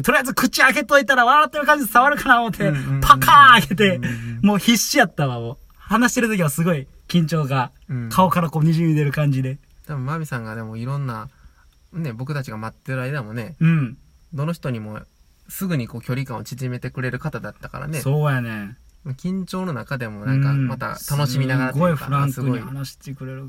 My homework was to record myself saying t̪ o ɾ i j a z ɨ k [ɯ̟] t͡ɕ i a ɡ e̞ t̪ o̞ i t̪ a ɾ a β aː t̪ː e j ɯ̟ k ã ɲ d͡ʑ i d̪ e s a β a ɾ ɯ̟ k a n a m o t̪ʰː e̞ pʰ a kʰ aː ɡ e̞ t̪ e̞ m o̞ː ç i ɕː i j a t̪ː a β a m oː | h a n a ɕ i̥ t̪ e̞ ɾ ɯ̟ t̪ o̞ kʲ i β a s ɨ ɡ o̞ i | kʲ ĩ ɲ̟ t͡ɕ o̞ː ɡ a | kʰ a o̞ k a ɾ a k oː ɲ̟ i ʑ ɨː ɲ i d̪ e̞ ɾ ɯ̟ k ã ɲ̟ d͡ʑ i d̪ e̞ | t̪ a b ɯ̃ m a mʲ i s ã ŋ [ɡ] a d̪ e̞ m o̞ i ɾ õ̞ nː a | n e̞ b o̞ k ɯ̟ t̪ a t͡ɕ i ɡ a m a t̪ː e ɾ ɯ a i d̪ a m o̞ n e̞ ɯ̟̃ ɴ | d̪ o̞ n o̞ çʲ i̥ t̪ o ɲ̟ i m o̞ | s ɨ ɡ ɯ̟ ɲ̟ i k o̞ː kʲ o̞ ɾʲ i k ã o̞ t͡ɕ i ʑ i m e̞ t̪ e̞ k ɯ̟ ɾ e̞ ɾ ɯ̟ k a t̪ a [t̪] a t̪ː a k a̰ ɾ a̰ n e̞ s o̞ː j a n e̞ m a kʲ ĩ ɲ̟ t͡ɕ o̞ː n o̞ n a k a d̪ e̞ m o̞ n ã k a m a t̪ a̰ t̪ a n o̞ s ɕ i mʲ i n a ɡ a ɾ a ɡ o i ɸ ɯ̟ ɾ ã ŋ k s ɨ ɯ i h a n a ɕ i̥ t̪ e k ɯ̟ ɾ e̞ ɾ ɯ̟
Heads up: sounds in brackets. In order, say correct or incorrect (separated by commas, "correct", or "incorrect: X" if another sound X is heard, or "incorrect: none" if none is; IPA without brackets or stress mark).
correct, correct, incorrect: d̪